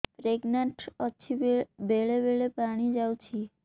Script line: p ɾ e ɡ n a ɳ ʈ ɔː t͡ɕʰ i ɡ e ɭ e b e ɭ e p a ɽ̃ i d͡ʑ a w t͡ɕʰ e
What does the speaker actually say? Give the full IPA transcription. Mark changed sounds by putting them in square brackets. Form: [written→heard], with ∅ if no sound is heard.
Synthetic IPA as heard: p ɾ e ɡ n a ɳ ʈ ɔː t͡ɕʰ i [ɡ→b] e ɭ e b e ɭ e p a ɽ̃ i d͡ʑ a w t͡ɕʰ [e→i]